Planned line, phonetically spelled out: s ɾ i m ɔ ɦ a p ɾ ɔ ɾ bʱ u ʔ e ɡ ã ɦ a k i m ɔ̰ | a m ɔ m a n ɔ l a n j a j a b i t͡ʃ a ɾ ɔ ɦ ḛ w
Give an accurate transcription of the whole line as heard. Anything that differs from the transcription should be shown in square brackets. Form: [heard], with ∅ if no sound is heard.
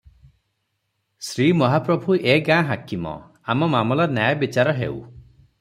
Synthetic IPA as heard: s ɾ i m ɔ ɦ a p ɾ ɔ [∅] bʱ u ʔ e ɡ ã ɦ a k i m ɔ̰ | a m ɔ m a [m] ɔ l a n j a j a b i t͡ʃ a ɾ ɔ ɦ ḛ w